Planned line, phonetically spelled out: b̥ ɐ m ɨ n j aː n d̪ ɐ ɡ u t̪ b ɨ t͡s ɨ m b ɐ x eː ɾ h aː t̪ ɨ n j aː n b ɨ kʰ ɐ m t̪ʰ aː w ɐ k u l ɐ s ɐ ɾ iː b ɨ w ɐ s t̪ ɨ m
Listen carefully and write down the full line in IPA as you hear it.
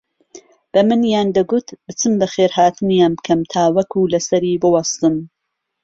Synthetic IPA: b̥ ɐ m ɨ n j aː n d̪ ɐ ɡ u t̪ b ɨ t͡s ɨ m b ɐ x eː ɾ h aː t̪ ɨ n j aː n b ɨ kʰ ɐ m t̪ʰ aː w ɐ k u l ɐ s ɐ ɾ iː b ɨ w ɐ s t̪ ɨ m

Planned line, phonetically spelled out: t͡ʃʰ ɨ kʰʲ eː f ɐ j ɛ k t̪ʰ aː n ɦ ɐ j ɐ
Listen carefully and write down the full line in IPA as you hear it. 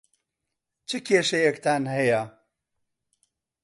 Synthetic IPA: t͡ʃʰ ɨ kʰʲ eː ʃ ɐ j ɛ k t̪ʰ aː n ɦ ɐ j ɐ

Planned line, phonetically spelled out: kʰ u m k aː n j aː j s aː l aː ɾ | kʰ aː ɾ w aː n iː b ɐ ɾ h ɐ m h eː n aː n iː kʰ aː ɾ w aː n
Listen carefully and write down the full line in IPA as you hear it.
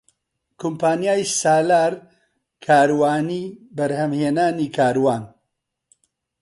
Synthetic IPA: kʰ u m p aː n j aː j s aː l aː ɾ | kʰ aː ɾ w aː n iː b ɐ ɾ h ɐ m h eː n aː n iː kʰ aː ɾ w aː n

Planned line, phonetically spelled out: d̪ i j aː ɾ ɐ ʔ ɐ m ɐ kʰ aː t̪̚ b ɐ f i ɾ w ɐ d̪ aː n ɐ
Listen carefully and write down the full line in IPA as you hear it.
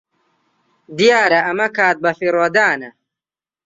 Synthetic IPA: d̪ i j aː ɾ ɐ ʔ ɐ m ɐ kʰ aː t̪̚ b ɐ f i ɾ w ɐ d̪ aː n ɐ

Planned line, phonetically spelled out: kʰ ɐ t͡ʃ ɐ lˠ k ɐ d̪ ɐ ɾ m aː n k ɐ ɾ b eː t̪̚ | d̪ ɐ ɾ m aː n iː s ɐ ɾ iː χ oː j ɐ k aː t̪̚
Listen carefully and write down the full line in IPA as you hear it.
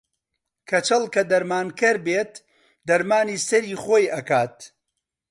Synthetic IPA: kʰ ɐ t͡ʃ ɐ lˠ k ɐ d̪ ɐ ɾ m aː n k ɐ ɾ b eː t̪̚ | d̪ ɐ ɾ m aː n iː s ɐ ɾ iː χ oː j ɐ k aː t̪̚

